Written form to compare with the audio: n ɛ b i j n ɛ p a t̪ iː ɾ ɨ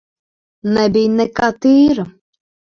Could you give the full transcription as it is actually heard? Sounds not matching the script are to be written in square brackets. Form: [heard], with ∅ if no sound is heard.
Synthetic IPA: n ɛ b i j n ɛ [k] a t̪ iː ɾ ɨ

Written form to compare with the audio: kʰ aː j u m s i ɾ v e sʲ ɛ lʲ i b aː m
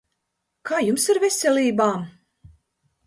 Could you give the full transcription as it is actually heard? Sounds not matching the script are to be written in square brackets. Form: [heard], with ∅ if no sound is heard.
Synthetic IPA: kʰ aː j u m s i ɾ v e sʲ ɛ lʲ [iː] b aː m

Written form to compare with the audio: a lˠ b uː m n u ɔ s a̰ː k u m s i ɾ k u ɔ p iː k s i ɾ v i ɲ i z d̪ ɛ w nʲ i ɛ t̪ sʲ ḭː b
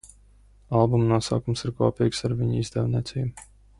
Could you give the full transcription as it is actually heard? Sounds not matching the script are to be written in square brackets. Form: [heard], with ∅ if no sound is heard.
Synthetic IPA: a lˠ b [u] m n u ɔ s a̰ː k u m s i ɾ k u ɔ p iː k s [a] ɾ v i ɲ i z d̪ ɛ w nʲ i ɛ t̪ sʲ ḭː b

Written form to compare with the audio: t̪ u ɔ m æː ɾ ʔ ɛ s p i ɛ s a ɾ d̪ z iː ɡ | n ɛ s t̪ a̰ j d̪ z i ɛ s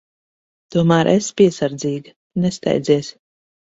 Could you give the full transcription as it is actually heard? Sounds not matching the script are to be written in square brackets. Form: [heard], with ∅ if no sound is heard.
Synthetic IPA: t̪ u ɔ m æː ɾ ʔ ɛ s p i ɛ s a ɾ d̪ z iː ɡ | n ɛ s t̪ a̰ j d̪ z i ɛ s

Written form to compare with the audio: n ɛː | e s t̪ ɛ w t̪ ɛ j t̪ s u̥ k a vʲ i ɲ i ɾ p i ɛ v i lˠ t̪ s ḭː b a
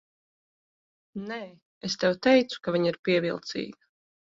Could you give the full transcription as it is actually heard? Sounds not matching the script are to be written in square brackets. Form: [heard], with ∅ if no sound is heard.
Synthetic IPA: n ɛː | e s t̪ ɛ w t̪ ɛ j t̪ s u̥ k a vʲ i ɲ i ɾ p i ɛ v i lˠ t̪ s ḭː [ɡ] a

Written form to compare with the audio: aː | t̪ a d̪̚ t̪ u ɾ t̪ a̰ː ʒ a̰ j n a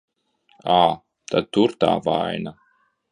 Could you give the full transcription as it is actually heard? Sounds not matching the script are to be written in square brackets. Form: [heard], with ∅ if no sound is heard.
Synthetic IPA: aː | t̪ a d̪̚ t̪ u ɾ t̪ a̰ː [v] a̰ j n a

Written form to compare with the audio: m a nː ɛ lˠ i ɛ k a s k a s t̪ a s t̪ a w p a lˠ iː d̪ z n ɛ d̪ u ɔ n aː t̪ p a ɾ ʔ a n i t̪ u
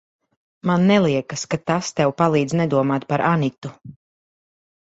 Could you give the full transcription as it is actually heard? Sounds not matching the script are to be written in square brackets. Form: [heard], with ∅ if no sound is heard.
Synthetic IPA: m a nː ɛ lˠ i ɛ k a s k a [∅] t̪ a s t̪ [ɛ] w p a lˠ iː d̪ z n ɛ d̪ u ɔ [m] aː t̪ p a ɾ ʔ a n i t̪ u

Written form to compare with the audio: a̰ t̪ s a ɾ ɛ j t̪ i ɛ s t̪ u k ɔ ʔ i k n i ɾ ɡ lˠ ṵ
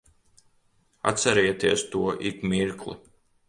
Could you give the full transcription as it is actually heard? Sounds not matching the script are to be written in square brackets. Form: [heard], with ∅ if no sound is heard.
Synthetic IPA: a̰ t̪ s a ɾ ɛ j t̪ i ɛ s t̪ u [∅] ɔ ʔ i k [m] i ɾ [k] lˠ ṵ

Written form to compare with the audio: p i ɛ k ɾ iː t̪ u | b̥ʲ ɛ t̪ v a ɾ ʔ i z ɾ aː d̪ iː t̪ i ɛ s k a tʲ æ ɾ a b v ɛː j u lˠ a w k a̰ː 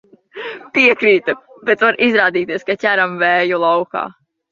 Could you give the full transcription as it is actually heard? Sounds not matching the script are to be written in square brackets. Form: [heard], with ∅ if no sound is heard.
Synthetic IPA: p i ɛ k ɾ iː t̪ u | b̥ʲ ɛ t̪ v a ɾ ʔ i z ɾ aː d̪ iː t̪ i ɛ s k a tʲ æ ɾ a [m] v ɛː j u lˠ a w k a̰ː

